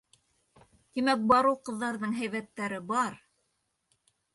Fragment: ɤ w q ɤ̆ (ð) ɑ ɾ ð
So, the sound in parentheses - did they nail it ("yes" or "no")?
no